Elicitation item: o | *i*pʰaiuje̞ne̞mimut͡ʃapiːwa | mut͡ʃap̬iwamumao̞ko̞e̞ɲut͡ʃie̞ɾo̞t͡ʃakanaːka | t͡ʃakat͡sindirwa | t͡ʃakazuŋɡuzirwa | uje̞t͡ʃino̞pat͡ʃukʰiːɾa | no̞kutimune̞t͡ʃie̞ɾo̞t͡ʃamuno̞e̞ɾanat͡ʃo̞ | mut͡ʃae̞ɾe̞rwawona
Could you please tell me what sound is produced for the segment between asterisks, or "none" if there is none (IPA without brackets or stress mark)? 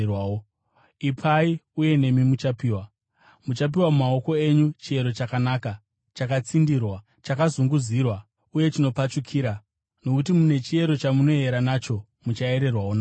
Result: i